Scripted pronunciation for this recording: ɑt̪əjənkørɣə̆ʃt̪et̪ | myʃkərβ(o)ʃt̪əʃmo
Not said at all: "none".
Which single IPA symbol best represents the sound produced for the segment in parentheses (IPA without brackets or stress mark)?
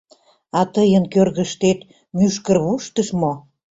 u